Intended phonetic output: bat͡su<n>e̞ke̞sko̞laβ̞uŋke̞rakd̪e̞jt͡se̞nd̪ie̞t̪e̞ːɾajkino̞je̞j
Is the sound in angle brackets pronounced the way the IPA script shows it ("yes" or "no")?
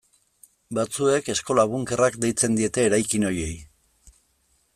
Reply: no